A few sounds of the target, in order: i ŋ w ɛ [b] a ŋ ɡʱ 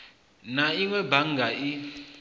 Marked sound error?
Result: no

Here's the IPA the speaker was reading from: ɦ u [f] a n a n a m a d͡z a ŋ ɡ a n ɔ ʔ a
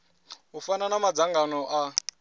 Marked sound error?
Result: no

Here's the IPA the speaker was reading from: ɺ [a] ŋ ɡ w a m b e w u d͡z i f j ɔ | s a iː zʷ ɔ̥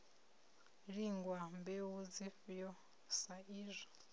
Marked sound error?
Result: yes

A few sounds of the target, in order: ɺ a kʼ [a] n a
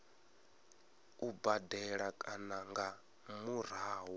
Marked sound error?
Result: no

